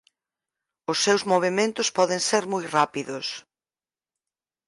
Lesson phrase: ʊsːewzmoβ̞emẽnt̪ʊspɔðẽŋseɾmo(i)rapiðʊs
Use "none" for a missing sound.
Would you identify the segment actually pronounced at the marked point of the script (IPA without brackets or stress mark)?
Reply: j